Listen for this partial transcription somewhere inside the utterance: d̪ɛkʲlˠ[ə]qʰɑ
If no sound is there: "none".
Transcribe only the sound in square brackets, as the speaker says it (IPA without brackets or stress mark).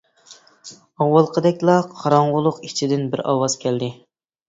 ɑ